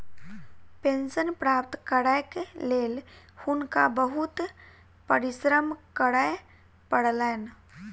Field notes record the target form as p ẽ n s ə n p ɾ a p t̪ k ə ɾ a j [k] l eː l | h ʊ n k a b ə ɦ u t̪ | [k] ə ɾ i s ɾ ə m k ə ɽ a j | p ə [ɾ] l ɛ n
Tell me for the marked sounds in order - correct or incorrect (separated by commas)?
correct, incorrect, incorrect